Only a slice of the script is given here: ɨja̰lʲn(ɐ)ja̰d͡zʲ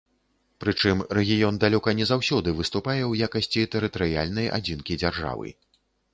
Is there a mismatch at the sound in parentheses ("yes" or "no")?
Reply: no